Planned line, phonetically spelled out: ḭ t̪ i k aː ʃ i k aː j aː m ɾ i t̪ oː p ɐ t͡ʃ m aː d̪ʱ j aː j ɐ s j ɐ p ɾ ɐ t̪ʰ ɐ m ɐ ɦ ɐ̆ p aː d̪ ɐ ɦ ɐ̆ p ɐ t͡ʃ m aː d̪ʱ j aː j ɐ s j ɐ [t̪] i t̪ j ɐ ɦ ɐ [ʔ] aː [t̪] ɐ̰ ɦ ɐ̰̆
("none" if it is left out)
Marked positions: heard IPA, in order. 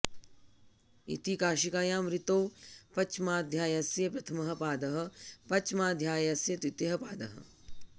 t̪, p, d̪

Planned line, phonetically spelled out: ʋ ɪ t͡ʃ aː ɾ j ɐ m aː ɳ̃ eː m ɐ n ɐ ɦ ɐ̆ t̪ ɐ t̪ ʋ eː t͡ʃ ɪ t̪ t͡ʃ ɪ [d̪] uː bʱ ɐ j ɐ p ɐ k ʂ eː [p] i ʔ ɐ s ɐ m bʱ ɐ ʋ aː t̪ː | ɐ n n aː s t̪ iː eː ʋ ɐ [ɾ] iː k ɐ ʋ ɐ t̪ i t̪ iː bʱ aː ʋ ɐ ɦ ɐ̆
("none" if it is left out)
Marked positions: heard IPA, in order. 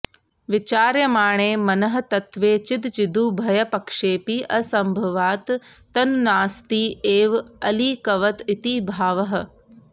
d̪, p, l

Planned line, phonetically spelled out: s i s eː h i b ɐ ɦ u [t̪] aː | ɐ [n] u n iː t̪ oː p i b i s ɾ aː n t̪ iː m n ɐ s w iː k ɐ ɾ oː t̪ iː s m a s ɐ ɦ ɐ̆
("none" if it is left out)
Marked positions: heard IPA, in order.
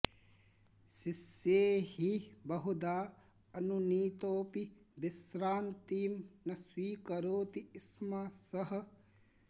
d̪, n

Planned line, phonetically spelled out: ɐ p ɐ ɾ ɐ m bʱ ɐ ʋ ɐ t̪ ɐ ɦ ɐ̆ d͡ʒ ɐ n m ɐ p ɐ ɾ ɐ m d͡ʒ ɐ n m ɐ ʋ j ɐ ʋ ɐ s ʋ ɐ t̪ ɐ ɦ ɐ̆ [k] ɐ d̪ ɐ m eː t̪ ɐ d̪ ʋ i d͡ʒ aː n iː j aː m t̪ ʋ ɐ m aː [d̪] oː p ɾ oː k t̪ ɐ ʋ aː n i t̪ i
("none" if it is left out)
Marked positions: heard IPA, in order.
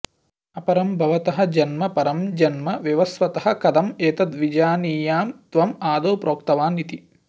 k, d̪

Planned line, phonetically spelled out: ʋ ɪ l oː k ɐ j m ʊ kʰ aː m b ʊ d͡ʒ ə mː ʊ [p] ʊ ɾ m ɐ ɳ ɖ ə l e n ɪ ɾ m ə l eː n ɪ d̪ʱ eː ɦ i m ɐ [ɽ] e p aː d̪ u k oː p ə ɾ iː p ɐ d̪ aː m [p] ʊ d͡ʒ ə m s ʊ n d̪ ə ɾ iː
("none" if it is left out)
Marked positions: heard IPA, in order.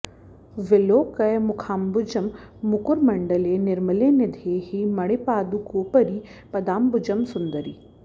k, ɽ, b

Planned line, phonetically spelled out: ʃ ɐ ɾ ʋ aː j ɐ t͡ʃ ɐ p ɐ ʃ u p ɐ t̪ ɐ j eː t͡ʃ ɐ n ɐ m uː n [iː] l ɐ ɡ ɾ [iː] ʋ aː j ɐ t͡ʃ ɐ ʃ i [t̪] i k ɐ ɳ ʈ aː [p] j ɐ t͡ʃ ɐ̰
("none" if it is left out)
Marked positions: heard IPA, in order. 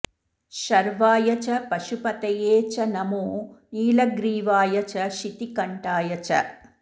iː, iː, t̪, none

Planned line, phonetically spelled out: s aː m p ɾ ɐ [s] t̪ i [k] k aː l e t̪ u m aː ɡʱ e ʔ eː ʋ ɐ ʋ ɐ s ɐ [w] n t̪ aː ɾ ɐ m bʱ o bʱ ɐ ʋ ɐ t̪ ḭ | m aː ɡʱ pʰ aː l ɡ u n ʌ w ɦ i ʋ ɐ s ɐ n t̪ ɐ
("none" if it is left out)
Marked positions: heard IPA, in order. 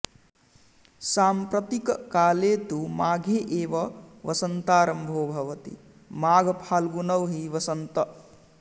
none, k, none

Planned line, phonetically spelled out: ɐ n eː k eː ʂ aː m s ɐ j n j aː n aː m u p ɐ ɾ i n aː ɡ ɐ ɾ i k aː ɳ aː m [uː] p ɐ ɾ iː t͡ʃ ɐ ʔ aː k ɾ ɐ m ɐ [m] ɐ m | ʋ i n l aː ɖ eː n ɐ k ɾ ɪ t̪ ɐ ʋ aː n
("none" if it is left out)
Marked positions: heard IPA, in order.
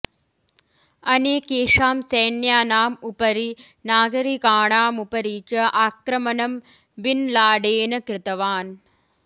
u, n

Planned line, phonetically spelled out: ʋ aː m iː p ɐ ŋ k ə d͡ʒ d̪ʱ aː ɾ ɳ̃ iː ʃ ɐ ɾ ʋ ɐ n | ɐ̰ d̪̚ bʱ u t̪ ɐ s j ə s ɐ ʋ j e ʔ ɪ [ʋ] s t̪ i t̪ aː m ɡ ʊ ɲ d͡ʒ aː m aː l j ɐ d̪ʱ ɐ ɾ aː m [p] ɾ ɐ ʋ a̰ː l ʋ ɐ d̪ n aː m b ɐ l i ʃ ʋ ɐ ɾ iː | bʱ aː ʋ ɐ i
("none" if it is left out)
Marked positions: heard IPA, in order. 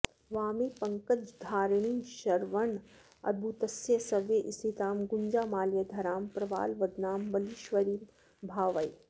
none, p

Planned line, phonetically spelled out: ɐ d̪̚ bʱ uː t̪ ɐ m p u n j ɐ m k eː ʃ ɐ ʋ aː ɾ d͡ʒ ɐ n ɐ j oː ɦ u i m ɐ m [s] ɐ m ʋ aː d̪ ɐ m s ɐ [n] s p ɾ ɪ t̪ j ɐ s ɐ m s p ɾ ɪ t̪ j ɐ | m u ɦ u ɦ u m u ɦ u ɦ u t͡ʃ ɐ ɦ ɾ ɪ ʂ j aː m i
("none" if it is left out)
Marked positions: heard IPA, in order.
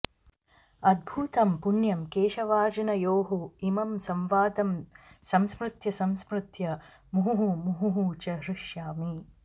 s, m

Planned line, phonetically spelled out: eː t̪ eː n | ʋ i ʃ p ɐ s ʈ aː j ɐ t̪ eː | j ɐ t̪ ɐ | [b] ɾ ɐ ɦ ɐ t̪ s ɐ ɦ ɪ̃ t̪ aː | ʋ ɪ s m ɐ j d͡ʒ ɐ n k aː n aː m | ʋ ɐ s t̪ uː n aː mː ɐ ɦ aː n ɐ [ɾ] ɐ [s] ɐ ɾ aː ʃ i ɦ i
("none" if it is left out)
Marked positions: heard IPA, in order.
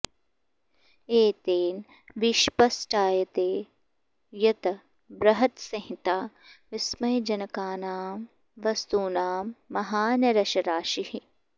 b, ɾ, ʃ

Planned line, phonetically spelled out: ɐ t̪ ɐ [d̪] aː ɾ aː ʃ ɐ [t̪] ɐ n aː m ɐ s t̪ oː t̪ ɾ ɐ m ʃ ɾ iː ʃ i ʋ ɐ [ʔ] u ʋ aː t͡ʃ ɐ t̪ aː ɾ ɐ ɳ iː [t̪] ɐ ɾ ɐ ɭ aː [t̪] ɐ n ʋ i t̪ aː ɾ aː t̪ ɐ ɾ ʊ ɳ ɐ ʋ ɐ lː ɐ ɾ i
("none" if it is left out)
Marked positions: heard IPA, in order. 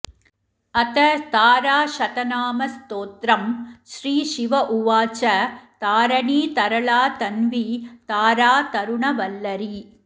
t̪, t̪, ʔ, t̪, t̪

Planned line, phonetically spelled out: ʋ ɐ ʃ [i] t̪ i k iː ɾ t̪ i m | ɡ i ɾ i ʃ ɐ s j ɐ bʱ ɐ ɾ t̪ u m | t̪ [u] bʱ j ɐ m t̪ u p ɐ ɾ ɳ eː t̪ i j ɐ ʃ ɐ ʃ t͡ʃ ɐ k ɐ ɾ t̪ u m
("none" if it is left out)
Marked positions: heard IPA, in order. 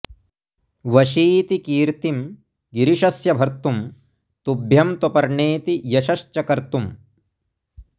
iː, u

